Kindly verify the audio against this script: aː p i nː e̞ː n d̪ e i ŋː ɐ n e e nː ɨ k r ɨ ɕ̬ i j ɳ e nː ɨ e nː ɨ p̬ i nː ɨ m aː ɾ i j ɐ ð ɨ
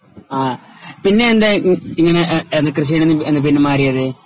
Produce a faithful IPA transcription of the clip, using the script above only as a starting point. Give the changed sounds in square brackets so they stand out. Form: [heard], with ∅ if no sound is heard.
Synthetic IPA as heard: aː p i nː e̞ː n d̪ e i ŋː ɐ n e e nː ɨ k r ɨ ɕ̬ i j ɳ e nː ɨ e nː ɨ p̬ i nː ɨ m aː ɾ i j ɐ ð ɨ

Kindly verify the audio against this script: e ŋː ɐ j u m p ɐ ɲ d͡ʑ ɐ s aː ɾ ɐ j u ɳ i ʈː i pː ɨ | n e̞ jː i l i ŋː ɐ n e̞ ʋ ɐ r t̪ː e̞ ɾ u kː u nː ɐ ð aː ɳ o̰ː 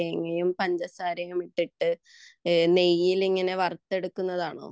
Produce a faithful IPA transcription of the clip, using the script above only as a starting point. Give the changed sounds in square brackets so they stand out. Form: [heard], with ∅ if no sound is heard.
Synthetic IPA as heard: e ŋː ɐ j u m p ɐ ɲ d͡ʑ ɐ s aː ɾ ɐ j u [m] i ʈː i [ʈː] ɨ | n e̞ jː i l i ŋː ɐ n e̞ ʋ ɐ r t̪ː e̞ [ɽ] u kː u nː ɐ ð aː ɳ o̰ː

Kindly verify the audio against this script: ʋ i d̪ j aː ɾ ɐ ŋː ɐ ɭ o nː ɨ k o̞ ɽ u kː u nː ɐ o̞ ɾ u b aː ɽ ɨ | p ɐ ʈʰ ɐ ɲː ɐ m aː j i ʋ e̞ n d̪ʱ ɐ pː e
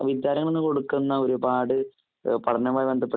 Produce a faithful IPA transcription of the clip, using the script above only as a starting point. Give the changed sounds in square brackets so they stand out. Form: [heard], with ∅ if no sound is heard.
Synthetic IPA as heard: ʋ i d̪ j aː ɾ ɐ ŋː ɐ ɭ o nː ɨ k o̞ ɽ u kː u nː ɐ o̞ ɾ u b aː ɽ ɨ | p ɐ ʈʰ ɐ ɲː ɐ m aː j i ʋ e̞ n d̪ʱ ɐ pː e

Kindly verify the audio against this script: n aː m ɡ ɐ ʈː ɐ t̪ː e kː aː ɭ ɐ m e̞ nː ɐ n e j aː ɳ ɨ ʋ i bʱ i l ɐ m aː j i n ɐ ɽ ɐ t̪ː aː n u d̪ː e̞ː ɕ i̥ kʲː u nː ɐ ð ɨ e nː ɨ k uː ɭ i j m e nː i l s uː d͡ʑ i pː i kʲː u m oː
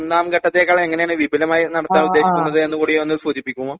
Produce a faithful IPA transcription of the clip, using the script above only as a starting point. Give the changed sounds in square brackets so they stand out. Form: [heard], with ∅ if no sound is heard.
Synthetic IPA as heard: n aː m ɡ ɐ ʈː ɐ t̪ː e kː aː ɭ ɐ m e̞ [ŋː] ɐ n e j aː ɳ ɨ ʋ i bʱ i l ɐ m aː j i n ɐ ɽ ɐ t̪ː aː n u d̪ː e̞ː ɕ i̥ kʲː u nː ɐ ð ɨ e nː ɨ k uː [ɽ] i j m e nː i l s uː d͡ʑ i pː i kʲː u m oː

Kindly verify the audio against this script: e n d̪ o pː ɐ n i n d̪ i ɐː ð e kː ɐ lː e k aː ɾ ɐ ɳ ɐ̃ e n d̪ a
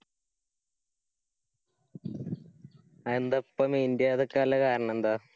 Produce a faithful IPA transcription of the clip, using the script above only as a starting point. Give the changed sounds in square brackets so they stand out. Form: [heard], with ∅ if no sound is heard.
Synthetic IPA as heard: e n d̪ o pː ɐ [m] i n d̪ [j] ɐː ð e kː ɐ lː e k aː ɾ ɐ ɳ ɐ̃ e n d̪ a

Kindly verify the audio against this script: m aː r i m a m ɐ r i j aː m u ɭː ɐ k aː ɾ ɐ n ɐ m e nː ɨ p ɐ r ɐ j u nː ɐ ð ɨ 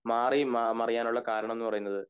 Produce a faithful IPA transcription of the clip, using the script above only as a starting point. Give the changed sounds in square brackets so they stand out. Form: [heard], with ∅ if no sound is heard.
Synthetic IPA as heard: m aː r i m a m ɐ r i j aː [n] u ɭː ɐ k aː ɾ ɐ [ɳ] ɐ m e nː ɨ p ɐ r ɐ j u nː ɐ ð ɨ

